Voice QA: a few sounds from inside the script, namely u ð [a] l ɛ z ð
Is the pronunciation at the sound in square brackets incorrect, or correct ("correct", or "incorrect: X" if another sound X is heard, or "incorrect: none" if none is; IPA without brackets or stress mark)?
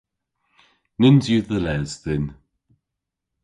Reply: incorrect: ə